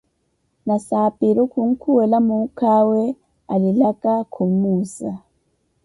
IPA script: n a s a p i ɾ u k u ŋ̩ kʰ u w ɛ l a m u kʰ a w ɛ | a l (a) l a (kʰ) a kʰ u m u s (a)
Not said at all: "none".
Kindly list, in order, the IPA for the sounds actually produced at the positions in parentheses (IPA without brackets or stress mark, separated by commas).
i, k, a